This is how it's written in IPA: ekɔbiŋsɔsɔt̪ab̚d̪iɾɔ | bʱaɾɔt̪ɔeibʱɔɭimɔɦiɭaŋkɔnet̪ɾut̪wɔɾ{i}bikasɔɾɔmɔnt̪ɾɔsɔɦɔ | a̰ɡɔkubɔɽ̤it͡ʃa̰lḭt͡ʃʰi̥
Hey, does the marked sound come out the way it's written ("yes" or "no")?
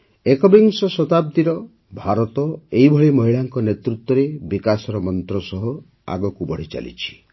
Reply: no